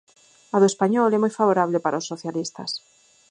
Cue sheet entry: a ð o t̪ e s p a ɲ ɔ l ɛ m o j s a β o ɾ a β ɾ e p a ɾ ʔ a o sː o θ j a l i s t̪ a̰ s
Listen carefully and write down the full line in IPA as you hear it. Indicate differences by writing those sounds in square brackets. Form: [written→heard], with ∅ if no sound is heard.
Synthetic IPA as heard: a ð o [t̪→∅] e s p a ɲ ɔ l ɛ m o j [s→f] a β o ɾ a β [ɾ→l] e p a ɾ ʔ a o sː o θ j a l i s t̪ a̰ s